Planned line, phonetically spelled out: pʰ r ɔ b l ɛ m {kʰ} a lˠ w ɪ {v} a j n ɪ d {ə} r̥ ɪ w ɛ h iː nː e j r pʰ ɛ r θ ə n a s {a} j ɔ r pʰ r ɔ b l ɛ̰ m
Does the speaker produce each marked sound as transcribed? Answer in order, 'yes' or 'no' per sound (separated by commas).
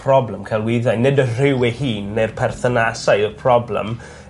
yes, no, yes, yes